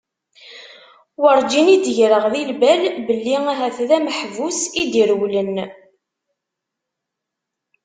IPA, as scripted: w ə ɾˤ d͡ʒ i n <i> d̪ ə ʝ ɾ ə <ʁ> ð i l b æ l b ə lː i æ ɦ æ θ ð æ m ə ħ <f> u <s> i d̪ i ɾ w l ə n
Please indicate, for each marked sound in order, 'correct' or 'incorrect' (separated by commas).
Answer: correct, correct, incorrect, correct